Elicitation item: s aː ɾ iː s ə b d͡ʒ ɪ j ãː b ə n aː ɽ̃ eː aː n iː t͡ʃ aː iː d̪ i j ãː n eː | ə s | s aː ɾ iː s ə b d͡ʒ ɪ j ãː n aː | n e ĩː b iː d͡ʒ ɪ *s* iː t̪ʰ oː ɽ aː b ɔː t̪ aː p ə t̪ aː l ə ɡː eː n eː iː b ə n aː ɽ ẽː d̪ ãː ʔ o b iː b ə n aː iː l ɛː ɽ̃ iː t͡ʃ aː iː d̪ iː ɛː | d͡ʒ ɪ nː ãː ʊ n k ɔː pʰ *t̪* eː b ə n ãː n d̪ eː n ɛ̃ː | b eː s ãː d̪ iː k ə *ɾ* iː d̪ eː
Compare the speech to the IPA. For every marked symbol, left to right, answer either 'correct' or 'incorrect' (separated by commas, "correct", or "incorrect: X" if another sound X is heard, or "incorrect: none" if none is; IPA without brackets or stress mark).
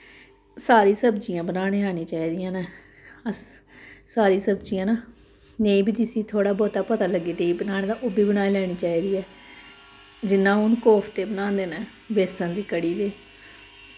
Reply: correct, correct, incorrect: ɽ